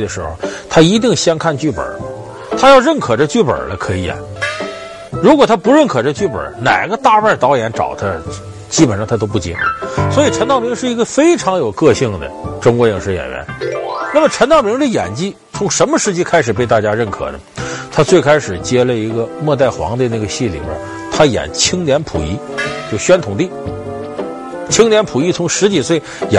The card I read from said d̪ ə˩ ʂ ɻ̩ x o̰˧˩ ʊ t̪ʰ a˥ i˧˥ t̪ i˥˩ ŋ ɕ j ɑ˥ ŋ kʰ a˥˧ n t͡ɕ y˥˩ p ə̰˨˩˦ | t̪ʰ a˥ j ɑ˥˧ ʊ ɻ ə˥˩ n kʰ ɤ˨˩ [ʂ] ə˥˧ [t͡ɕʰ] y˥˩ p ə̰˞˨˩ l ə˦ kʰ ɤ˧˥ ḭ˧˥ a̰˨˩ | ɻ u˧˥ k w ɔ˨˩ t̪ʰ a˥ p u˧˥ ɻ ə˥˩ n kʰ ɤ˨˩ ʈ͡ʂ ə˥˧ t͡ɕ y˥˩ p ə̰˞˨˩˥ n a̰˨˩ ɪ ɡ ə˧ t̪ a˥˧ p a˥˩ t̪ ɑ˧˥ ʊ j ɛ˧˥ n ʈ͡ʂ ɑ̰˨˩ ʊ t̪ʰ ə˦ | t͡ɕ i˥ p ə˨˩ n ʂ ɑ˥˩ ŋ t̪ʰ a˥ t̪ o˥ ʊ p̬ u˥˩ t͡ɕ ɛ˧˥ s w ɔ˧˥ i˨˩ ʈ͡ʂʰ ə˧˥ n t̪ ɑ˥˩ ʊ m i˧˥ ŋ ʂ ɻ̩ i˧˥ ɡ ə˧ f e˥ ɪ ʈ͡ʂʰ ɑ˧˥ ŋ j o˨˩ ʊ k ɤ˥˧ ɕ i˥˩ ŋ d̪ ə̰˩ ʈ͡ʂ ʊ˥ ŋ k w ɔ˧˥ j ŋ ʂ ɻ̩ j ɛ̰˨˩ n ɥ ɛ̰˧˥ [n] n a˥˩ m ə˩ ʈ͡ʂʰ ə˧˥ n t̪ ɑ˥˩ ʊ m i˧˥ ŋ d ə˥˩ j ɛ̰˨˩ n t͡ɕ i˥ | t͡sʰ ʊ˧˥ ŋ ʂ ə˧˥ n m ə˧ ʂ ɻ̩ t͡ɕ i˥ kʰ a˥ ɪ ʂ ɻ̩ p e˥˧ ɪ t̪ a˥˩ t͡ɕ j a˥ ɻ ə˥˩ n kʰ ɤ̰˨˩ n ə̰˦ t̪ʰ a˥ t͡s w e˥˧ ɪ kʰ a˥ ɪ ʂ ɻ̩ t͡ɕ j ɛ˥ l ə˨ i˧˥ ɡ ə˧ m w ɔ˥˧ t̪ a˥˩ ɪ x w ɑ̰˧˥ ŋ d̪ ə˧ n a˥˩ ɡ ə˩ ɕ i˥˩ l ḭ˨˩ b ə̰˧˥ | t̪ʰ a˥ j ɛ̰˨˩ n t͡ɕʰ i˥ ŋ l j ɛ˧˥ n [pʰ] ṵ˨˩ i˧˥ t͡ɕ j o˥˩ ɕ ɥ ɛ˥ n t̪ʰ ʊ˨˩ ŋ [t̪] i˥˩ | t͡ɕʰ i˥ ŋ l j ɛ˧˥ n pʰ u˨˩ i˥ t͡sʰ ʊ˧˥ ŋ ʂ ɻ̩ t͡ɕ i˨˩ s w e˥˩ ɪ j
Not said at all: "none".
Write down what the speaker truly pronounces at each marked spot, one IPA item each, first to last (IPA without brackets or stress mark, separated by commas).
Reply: ʈ͡ʂ, t͡ɕ, n, pʰ, t̪